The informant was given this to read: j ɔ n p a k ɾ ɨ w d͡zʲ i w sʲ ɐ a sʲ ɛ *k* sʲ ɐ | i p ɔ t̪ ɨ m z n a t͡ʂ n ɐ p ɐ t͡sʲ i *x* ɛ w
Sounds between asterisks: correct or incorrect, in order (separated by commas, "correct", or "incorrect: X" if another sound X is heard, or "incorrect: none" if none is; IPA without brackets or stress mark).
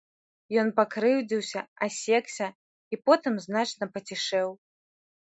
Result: correct, incorrect: ʂ